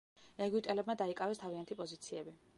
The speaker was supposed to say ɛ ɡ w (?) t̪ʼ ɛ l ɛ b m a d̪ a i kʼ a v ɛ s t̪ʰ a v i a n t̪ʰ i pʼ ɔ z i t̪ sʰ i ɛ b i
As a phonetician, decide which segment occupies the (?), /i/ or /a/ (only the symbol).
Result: i